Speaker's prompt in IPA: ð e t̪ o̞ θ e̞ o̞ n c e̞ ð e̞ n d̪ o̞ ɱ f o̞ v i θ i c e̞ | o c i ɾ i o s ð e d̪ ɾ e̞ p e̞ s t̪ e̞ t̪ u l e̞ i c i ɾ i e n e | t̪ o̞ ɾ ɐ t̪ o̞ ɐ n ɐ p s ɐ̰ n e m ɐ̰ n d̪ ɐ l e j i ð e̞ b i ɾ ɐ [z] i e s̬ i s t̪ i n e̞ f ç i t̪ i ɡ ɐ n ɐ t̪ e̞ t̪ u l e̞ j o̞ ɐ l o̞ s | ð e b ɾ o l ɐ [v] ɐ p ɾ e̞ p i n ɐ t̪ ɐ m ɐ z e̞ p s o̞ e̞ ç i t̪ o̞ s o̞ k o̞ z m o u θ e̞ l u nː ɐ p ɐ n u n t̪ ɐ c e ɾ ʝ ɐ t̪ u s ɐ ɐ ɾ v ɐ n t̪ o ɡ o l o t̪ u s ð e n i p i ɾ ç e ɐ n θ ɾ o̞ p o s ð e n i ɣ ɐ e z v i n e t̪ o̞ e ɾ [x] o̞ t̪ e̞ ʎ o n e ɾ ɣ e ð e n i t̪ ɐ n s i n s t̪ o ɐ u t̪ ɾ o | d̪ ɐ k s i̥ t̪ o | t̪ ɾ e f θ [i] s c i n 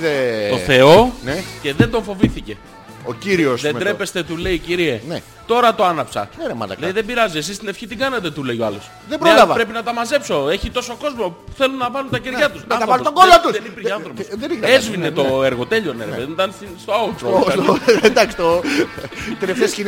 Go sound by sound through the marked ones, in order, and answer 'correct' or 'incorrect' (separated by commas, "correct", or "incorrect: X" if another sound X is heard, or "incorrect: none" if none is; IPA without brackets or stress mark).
correct, correct, incorrect: ɣ, incorrect: e